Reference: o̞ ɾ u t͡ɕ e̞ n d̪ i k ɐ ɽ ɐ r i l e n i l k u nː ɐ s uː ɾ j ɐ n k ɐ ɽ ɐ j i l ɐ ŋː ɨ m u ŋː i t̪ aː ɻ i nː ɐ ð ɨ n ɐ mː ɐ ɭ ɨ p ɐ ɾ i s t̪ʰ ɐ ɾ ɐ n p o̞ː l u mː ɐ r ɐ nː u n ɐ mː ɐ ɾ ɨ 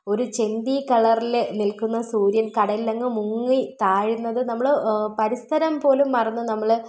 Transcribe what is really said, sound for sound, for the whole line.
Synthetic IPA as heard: o̞ ɾ u t͡ɕ e̞ n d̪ i k ɐ ɭ ɐ r i l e n i l k u nː ɐ s uː ɾ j ɐ n k ɐ ɽ ɐ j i l ɐ ŋː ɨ m u ŋː i t̪ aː ɻ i nː ɐ ð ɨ n ɐ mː ɐ ɭ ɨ p ɐ ɾ i s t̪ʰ ɐ ɾ ɐ m p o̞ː l u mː ɐ r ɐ nː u n ɐ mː ɐ ɭ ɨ